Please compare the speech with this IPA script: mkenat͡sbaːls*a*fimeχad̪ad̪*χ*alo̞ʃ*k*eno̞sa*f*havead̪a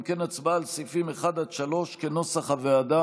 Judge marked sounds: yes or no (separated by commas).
no, no, yes, no